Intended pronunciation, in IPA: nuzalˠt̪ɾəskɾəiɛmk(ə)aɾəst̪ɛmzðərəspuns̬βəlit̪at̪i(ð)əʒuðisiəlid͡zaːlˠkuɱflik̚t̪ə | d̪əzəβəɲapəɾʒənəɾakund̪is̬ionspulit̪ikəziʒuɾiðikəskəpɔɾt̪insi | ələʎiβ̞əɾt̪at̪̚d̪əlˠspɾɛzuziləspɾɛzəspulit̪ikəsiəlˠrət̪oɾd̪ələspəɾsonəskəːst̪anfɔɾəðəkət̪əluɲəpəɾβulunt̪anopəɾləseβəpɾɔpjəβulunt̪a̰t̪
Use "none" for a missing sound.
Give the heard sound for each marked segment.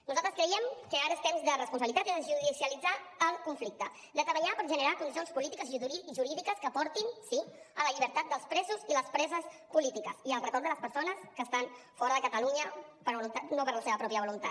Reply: ə, ð

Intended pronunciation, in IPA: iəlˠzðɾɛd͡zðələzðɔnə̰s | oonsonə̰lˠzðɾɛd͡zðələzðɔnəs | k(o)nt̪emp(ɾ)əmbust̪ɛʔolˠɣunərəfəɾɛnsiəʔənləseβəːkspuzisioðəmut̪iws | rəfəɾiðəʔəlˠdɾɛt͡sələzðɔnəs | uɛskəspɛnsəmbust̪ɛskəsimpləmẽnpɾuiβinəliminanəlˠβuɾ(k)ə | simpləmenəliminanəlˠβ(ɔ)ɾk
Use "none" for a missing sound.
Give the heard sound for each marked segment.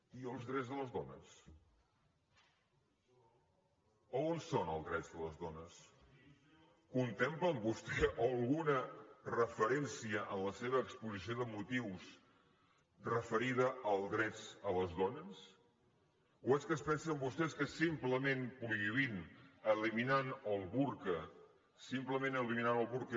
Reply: u, l, k, u

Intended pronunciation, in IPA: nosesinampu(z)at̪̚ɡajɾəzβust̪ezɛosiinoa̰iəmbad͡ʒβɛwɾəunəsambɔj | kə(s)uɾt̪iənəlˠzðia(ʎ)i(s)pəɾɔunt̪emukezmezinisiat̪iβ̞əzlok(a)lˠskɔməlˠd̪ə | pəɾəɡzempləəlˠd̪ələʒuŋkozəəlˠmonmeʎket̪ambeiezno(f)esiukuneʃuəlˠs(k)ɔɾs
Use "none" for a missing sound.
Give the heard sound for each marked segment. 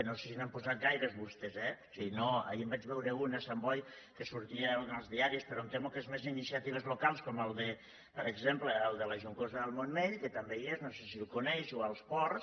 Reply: z, s, ɾ, s, a, s, p

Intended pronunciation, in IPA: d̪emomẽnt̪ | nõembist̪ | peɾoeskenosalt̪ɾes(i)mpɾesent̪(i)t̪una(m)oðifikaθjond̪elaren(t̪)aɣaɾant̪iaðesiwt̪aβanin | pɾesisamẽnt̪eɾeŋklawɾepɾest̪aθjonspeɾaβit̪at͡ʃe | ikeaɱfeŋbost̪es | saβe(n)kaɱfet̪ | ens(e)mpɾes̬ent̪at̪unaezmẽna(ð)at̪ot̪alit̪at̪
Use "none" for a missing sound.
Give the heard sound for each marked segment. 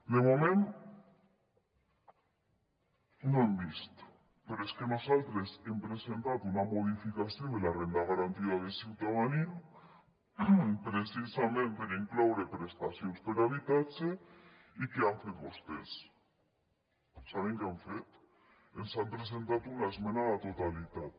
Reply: e, a, m, d̪, ŋ, a, ð

